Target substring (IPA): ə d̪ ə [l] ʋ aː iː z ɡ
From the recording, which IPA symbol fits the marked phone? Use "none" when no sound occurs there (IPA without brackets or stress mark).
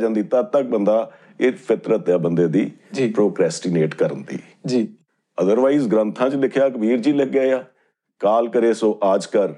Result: ɾ